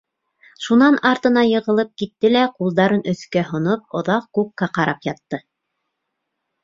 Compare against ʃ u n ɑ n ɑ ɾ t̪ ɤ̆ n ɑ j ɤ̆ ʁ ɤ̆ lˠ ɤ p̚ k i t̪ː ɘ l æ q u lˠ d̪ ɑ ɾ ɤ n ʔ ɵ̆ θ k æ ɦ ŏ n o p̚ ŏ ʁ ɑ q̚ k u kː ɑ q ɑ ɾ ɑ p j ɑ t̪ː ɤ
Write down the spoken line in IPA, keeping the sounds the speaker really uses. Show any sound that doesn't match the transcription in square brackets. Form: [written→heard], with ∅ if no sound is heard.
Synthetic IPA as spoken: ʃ u n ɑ n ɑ ɾ t̪ ɤ̆ n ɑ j ɤ̆ ʁ ɤ̆ lˠ ɤ p̚ k i t̪ː ɘ l æ q u lˠ d̪ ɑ ɾ ɤ n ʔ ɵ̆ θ k æ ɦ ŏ n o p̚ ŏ [ʁ→ð] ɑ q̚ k u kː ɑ q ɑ ɾ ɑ p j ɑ t̪ː ɤ

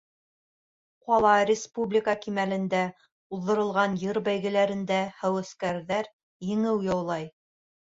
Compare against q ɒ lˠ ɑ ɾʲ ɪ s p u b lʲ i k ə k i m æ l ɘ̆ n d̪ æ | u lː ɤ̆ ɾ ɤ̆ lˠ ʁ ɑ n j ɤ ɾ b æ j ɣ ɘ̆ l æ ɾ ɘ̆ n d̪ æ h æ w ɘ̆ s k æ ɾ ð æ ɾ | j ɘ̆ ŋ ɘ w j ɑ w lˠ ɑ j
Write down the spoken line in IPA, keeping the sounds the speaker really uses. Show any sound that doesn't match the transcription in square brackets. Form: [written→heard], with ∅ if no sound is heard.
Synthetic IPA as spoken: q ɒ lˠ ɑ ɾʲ ɪ s p u b lʲ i k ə k i m æ l ɘ̆ n d̪ æ | u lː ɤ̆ ɾ ɤ̆ lˠ ʁ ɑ n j ɤ ɾ b æ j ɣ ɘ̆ l æ ɾ ɘ̆ n d̪ æ h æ w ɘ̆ s k æ ɾ ð æ ɾ | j ɘ̆ ŋ ɘ w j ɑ w lˠ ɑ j

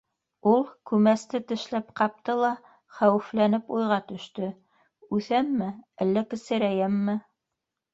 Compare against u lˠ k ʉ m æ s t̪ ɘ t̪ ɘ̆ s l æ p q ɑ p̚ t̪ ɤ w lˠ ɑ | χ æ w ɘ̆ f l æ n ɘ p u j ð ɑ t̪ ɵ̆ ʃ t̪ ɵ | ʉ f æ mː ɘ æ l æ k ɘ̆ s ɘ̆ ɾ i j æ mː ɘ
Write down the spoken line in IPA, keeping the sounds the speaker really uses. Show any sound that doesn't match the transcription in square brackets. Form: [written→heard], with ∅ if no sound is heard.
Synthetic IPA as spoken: u lˠ k ʉ m æ s t̪ ɘ t̪ ɘ̆ [s→ʃ] l æ p q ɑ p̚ t̪ ɤ [w→∅] lˠ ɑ | χ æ w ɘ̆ f l æ n ɘ p u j [ð→ʁ] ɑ t̪ ɵ̆ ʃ t̪ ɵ | ʉ [f→θ] æ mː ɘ æ [l→lː] æ k ɘ̆ s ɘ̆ ɾ [i→æ] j æ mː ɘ

